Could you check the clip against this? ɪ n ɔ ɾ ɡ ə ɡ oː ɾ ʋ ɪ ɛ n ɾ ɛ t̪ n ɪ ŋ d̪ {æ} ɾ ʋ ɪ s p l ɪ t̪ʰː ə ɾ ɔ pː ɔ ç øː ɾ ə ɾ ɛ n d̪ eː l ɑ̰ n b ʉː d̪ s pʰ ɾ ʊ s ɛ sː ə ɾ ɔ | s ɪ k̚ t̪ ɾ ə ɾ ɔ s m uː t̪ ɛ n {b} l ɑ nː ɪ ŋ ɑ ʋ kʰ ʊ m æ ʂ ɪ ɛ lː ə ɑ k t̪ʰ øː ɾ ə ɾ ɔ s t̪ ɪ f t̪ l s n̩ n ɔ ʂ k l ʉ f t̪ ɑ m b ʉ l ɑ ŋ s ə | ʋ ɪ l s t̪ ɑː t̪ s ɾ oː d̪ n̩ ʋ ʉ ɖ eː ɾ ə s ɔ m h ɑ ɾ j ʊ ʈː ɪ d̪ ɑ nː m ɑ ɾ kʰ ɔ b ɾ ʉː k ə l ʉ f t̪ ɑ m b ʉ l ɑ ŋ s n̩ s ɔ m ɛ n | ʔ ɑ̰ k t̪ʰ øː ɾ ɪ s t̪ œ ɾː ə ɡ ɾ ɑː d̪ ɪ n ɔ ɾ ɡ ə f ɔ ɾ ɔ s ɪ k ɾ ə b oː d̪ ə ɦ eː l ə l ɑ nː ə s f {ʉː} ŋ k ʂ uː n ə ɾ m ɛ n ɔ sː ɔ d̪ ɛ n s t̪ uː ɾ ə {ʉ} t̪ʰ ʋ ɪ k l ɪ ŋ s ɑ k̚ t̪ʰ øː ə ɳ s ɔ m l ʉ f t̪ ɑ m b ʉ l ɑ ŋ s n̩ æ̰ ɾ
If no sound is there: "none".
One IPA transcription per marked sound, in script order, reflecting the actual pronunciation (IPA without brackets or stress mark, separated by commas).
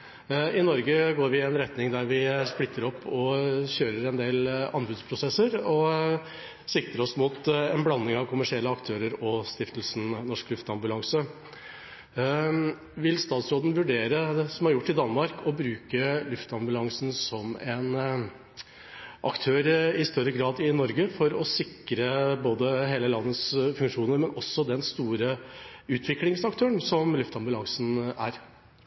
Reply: æ, b, ʉ, ʉː